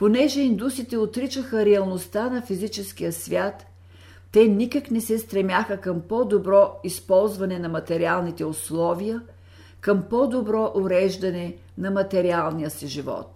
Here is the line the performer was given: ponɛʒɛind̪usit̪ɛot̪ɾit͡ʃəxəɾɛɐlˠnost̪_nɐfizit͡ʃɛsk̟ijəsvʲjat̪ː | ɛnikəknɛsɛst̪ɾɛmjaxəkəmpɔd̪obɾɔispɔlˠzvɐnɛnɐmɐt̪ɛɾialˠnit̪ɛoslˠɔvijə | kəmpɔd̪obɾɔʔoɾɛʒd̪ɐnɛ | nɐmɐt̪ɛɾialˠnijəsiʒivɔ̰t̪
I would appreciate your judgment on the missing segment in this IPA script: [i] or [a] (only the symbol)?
a